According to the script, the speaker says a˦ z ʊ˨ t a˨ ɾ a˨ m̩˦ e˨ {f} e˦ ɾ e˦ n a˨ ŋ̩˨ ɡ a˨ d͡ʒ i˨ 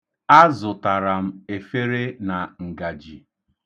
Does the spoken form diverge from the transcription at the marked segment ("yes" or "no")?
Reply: no